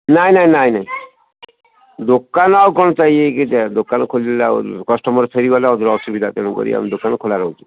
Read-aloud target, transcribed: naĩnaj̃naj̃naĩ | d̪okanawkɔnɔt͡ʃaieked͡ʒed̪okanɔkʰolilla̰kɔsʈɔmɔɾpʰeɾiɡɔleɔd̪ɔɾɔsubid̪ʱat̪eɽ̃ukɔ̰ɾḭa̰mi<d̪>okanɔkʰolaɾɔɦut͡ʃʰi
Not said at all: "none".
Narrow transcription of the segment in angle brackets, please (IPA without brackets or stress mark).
d̪